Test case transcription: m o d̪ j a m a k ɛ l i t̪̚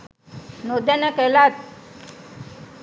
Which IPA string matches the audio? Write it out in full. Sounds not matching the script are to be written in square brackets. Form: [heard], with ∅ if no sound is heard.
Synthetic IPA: [n] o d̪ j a [n] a k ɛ l [a] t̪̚

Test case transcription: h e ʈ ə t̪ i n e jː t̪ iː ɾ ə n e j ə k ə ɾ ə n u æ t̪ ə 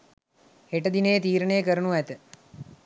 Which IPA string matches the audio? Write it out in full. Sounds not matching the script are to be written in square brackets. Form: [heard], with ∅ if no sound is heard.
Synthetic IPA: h e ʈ ə [d̪] i n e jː t̪ iː ɾ ə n e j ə k ə ɾ ə n u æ t̪ ə

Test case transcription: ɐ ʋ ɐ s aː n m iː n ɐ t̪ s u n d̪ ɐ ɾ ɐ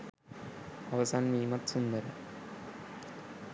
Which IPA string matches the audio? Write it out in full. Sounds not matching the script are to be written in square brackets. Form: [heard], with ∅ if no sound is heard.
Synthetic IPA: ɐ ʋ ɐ s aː n m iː [m] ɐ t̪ s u n d̪ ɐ ɾ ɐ

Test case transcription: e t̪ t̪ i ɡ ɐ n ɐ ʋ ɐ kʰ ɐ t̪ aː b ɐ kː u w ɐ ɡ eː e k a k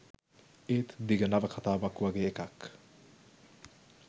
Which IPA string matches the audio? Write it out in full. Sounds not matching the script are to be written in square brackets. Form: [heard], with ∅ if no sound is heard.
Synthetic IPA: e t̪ [d̪] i ɡ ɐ n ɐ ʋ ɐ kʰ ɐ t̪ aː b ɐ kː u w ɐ ɡ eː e k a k

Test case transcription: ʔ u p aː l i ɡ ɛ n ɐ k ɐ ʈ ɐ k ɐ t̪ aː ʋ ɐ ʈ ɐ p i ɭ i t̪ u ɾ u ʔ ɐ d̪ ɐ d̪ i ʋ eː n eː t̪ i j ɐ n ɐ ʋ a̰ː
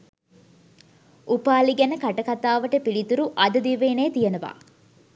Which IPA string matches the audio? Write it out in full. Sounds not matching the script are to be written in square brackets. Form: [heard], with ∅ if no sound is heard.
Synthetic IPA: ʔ u p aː l i ɡ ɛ n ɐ k ɐ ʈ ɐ k ɐ t̪ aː ʋ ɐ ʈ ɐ p i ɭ i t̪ u ɾ u ʔ ɐ d̪ ɐ d̪ i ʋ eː n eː t̪ i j ɐ n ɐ ʋ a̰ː

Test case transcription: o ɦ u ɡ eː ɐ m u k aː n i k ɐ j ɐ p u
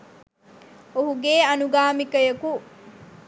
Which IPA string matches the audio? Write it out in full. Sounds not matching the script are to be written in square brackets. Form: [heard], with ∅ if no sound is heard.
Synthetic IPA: o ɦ u ɡ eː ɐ [n] u [ɡ] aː [m] i k ɐ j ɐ [k] u

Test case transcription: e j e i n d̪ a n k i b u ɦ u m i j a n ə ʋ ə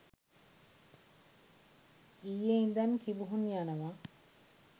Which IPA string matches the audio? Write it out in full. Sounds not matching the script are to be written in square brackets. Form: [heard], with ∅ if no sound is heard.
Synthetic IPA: [i] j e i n d̪ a n k i b u ɦ u [n] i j a n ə ʋ [a]

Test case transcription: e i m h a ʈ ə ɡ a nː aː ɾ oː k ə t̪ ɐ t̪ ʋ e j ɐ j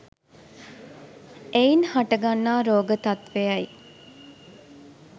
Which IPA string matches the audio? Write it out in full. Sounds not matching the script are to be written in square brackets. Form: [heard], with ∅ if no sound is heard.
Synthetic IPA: e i [n] h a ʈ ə ɡ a nː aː ɾ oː [ɡ] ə t̪ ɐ t̪ ʋ e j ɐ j

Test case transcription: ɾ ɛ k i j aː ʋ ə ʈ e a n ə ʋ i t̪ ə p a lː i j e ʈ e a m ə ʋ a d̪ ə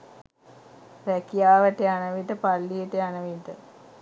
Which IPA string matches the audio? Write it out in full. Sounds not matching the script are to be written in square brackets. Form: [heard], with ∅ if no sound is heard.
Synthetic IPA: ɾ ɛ k i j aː ʋ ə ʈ e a n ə ʋ i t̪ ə p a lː i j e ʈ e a [n] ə ʋ [i] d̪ ə

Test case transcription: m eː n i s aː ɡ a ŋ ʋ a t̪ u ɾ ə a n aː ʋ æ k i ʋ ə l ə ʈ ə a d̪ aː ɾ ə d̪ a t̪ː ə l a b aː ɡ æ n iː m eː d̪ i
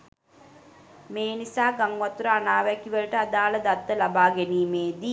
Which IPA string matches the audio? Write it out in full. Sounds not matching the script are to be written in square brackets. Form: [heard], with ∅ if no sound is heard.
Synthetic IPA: m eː n i s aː ɡ a ŋ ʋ a t̪ u ɾ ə a n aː ʋ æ k i ʋ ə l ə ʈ ə a d̪ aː [l] ə d̪ a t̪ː ə l a b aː ɡ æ n iː m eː d̪ i

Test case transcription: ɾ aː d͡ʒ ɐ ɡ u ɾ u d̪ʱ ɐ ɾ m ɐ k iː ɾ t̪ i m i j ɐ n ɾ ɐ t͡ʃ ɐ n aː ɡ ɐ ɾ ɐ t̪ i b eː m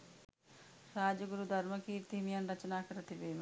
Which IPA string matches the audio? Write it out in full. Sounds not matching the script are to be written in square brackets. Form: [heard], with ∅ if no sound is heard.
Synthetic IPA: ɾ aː d͡ʒ ɐ ɡ u ɾ u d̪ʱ ɐ ɾ m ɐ k iː ɾ t̪ i m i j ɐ n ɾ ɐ t͡ʃ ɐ n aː [k] ɐ ɾ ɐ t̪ i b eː m

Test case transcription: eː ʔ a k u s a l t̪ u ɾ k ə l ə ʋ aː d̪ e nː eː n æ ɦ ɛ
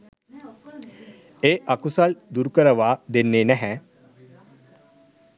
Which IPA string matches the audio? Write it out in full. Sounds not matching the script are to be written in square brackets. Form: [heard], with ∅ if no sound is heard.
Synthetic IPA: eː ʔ a k u s a l [d̪] u ɾ k ə [ɾ] ə ʋ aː d̪ e nː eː n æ ɦ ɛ

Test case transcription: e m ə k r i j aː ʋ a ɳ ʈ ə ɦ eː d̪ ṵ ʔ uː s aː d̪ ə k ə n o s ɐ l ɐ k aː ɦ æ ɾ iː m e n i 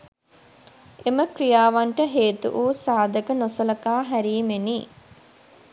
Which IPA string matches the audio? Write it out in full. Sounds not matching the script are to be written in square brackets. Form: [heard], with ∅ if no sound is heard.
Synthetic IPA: e m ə k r i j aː ʋ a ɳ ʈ ə ɦ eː [t̪] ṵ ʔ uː s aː d̪ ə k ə n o s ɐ l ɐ k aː ɦ æ ɾ iː m e n i

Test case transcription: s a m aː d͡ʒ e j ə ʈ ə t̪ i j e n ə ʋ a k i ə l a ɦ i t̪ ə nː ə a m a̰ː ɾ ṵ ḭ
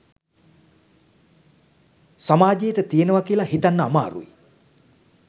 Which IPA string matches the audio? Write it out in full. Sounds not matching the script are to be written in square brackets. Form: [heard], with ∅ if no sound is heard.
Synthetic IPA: s a m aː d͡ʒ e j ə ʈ ə t̪ i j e n ə ʋ a k i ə l a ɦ i t̪ [a] nː ə a m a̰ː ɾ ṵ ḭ

